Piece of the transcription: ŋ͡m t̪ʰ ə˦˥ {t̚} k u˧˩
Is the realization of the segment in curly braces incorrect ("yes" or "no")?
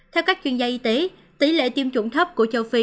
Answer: yes